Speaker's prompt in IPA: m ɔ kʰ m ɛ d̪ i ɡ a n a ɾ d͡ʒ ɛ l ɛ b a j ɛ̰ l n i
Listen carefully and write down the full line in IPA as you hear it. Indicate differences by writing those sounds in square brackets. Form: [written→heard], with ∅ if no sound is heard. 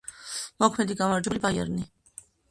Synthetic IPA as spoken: m ɔ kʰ m ɛ d̪ i ɡ a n a ɾ d͡ʒ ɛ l [ɛ→i] b a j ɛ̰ [l→ɾ] n i